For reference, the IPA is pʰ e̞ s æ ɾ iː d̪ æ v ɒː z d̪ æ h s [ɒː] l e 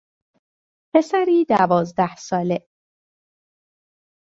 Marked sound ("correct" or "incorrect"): correct